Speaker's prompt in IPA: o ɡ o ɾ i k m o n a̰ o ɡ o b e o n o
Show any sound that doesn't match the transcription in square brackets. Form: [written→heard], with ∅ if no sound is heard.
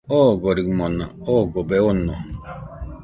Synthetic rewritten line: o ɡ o ɾ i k m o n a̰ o ɡ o b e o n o